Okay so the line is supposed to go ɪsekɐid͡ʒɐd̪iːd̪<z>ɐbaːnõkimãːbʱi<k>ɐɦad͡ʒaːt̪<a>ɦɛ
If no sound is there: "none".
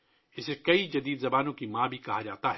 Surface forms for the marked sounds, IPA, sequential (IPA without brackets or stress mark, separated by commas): z, k, a